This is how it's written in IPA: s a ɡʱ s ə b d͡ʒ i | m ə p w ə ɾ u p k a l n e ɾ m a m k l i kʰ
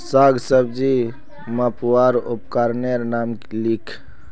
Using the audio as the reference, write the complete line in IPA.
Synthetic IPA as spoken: s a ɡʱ s ə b d͡ʒ i | m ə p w a ɾ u p k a ɾ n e ɾ n a m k l i kʰ